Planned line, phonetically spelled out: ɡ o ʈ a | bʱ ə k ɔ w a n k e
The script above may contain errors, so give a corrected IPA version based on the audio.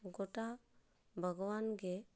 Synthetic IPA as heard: ɡ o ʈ a | bʱ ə ɡ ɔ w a n ɡ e